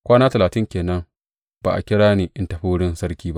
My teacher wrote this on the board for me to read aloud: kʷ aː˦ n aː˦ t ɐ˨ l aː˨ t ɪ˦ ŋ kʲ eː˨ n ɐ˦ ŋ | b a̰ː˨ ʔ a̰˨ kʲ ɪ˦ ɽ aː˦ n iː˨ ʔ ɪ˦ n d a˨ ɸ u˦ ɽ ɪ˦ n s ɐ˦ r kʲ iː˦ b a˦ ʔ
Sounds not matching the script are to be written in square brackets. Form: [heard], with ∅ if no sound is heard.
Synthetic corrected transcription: kʷ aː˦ n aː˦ t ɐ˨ l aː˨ t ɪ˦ ŋ kʲ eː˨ n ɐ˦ ŋ | b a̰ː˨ ʔ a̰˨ kʲ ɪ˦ ɽ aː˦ n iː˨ ʔ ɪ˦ n [t] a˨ ɸ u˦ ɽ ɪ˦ n s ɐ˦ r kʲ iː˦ b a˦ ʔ